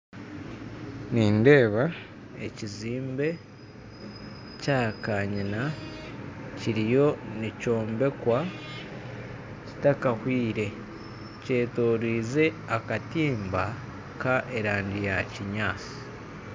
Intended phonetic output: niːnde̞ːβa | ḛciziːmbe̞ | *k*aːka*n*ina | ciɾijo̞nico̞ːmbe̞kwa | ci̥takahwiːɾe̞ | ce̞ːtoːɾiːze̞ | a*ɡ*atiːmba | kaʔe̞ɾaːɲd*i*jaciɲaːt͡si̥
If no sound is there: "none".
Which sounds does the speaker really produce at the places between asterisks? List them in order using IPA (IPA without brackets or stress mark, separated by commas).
c, ɲ, k, i